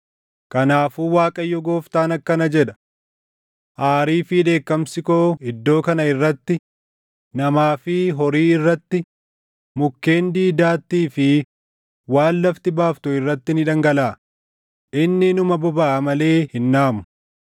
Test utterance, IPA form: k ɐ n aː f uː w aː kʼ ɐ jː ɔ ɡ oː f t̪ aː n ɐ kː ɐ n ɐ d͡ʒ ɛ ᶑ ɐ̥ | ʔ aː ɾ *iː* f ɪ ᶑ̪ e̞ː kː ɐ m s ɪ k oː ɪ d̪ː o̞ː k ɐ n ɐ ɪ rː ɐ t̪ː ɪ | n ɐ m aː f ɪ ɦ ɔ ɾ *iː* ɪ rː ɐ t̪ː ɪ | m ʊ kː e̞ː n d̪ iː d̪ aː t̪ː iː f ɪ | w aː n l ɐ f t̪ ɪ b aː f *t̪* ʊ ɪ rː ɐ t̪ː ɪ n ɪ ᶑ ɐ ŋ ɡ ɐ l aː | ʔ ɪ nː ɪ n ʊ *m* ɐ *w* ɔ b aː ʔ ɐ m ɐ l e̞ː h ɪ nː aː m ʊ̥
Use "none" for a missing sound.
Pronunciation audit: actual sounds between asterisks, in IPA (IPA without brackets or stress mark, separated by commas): iː, iː, t̪, m, b